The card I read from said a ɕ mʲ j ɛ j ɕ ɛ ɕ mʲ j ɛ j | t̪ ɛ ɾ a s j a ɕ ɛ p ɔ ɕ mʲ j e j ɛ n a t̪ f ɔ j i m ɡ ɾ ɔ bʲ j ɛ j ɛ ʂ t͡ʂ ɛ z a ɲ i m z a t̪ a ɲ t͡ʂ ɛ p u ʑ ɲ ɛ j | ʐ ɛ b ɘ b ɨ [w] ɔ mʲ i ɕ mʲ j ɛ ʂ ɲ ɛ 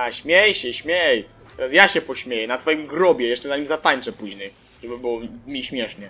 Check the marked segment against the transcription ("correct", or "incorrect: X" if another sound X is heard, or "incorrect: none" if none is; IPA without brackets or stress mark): correct